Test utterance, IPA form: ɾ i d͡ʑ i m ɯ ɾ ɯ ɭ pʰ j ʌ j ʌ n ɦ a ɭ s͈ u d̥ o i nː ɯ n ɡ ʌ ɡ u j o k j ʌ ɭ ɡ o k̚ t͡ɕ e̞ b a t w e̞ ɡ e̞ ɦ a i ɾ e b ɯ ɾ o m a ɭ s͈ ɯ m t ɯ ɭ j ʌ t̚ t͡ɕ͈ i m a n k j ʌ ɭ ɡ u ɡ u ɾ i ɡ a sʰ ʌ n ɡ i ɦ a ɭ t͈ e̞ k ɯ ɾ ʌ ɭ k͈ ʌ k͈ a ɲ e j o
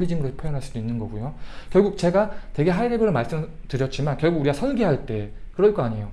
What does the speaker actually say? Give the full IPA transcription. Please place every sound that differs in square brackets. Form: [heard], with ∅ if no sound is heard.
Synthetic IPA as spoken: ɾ i d͡ʑ i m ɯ ɾ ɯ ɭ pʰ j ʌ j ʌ n ɦ a ɭ s͈ u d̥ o i nː ɯ n ɡ ʌ ɡ u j o k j ʌ ɭ ɡ [u] k̚ t͡ɕ e̞ [ɡ] a t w e̞ ɡ e̞ ɦ a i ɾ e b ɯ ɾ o m a ɭ s͈ ɯ m t ɯ [ɾ] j ʌ t̚ t͡ɕ͈ i m a n k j ʌ ɭ ɡ u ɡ u ɾ i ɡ a sʰ ʌ n ɡ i ɦ a ɭ t͈ e̞ k ɯ ɾ ʌ ɭ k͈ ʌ [∅] a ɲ e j o